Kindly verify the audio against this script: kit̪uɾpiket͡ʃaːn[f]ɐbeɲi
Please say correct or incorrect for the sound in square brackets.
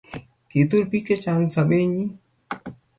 incorrect